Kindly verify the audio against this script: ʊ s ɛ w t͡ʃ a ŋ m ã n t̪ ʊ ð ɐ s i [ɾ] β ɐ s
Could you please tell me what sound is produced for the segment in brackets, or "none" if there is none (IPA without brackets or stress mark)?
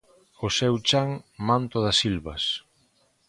l